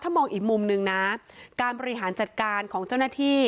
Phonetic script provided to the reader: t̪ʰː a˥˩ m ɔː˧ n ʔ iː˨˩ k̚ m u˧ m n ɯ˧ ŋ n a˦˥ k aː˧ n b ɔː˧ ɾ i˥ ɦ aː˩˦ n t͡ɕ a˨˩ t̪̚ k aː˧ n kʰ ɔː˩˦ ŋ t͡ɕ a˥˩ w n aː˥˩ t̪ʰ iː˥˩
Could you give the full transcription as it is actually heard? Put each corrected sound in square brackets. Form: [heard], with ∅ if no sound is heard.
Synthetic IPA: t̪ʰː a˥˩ m ɔː˧ [ŋ] ʔ iː˨˩ k̚ m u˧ m n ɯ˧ ŋ n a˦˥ k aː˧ n b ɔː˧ ɾ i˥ ɦ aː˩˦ n t͡ɕ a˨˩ t̪̚ k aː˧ n kʰ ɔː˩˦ ŋ t͡ɕ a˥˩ w n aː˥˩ t̪ʰ iː˥˩